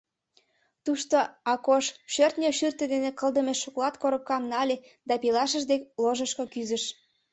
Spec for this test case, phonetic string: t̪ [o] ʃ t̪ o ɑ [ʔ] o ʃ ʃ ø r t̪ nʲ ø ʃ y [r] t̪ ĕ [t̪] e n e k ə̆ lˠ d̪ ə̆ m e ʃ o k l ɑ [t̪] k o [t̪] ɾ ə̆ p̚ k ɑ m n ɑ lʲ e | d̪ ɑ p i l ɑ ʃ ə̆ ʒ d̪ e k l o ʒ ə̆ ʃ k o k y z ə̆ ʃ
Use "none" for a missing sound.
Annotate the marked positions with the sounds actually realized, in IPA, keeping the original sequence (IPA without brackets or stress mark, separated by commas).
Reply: u, k, r, d̪, t̪, none